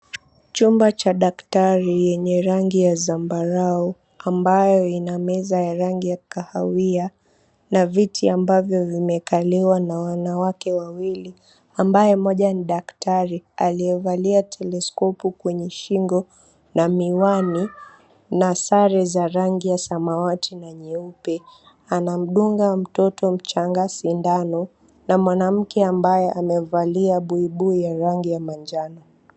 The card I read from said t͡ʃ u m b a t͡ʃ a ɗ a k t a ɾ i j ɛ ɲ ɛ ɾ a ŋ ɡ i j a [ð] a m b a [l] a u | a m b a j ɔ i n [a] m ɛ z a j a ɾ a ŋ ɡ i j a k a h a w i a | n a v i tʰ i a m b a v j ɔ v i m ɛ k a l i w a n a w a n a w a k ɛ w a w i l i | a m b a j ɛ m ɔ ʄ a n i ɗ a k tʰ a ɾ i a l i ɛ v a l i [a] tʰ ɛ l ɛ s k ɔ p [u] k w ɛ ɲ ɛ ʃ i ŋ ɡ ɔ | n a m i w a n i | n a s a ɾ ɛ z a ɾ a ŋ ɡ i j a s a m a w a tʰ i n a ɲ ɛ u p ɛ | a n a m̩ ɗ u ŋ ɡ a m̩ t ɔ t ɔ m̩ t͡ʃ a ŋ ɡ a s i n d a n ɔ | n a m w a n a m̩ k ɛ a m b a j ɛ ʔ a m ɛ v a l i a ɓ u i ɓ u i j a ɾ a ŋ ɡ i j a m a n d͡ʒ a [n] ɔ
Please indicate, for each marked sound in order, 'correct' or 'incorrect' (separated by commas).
incorrect, incorrect, correct, correct, correct, correct